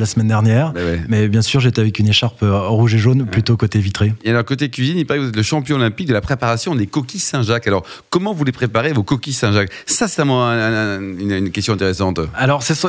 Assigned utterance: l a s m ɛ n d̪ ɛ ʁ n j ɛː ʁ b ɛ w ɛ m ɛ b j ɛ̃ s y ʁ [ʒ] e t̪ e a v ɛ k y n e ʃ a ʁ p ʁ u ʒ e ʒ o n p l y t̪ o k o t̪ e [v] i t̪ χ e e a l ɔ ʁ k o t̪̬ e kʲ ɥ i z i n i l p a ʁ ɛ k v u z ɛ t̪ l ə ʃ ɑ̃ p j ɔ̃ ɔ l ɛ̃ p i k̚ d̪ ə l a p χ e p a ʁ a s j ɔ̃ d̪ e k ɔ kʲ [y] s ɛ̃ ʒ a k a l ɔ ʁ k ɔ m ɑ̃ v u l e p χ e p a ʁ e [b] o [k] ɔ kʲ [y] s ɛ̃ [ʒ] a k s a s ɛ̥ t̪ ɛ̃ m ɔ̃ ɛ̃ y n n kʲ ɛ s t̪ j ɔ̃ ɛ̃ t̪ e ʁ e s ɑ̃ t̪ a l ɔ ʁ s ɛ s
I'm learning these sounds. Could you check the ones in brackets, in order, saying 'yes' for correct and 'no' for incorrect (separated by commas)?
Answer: yes, yes, no, no, yes, no, yes